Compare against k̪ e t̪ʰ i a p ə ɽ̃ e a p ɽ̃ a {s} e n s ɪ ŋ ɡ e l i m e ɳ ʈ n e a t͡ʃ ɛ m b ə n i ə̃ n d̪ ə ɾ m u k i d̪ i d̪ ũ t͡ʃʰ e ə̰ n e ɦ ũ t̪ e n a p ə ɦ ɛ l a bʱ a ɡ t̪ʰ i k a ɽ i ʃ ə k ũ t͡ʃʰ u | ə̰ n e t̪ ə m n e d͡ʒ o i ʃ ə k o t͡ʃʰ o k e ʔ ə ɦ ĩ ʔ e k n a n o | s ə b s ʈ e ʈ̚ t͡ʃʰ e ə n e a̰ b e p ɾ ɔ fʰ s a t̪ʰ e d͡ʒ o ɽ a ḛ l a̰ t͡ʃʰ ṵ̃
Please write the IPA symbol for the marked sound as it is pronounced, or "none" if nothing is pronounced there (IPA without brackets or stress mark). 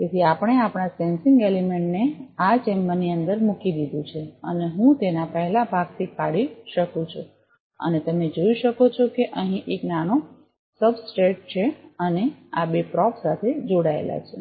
s